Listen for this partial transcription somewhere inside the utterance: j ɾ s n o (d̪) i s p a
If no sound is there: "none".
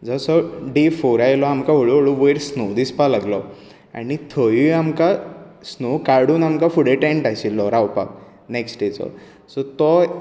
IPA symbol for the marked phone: d̪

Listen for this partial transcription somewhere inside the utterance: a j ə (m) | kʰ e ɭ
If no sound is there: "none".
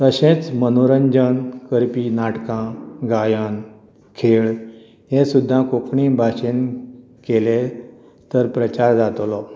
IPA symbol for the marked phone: n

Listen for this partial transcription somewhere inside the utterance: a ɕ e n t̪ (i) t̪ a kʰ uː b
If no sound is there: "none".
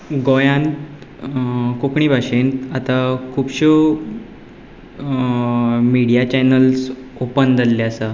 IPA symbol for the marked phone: a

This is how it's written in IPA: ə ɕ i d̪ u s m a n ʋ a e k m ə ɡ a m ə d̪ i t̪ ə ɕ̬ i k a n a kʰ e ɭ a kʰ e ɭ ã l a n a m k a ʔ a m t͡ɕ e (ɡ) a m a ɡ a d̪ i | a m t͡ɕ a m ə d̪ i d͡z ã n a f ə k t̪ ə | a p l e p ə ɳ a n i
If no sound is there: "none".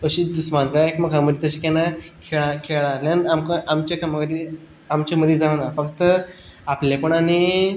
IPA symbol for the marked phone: k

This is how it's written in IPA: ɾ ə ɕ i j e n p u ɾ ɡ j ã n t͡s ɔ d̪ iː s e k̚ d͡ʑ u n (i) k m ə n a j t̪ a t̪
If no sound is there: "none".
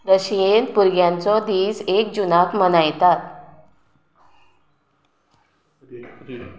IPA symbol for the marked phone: a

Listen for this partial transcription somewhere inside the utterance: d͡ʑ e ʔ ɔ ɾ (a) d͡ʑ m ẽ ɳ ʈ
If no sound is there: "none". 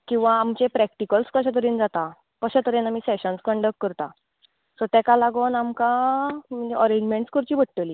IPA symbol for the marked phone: e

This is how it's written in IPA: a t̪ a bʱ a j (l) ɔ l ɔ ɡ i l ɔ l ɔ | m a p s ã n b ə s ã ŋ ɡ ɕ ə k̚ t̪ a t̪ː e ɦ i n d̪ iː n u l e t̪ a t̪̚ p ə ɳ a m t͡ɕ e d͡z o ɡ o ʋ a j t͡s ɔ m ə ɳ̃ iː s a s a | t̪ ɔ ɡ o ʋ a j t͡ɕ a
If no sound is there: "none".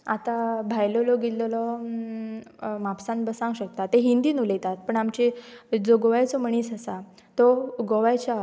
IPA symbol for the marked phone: l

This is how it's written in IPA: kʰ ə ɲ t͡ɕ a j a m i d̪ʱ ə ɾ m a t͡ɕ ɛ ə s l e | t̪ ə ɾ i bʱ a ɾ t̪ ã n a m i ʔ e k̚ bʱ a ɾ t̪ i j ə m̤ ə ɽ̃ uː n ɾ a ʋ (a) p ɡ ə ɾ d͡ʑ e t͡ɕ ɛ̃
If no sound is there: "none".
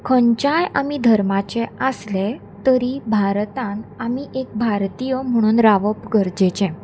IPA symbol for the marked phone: ə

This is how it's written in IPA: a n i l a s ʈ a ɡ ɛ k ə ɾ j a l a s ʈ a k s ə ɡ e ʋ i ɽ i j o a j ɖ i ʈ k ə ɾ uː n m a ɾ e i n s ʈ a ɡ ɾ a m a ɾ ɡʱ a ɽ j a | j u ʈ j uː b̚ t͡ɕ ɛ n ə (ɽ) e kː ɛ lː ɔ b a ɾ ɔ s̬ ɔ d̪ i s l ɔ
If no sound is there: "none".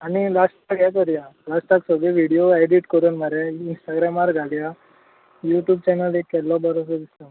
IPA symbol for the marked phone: l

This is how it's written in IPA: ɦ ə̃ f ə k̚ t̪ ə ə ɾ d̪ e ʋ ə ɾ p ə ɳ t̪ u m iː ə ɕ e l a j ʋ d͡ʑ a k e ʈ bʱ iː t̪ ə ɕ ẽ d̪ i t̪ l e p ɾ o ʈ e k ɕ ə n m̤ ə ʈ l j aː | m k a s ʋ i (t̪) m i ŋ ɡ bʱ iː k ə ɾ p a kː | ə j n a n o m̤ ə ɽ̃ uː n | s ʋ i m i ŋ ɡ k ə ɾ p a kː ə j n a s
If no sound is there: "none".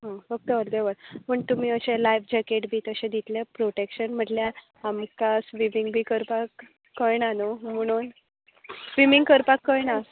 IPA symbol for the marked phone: none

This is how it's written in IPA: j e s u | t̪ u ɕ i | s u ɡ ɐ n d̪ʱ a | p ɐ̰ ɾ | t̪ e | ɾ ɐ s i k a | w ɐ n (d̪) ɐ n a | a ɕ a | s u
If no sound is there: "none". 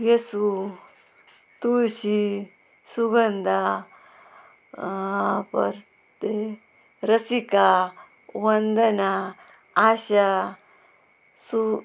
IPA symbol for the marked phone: d̪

